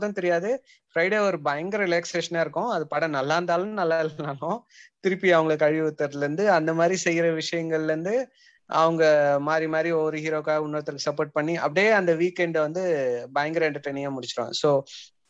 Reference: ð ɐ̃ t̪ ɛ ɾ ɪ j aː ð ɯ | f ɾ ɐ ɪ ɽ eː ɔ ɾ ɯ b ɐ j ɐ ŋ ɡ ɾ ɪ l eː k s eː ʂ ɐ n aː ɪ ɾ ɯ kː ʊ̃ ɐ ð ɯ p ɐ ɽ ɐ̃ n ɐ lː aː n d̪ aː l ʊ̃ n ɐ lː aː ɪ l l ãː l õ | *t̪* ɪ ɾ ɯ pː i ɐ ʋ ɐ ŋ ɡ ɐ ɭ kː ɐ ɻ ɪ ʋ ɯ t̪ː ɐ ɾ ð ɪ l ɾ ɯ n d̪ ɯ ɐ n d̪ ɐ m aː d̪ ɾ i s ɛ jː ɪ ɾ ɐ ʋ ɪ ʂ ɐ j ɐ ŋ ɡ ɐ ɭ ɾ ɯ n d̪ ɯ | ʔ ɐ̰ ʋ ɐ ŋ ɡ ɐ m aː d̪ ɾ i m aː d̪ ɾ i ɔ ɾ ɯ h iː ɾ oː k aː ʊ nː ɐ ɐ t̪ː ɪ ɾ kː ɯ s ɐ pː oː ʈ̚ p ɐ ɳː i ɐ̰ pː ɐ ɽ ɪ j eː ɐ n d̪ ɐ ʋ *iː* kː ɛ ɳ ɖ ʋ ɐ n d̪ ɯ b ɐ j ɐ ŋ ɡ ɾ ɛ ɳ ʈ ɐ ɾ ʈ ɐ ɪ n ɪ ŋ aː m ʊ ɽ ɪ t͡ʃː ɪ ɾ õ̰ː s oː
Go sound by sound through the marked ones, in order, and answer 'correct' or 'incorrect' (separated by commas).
correct, correct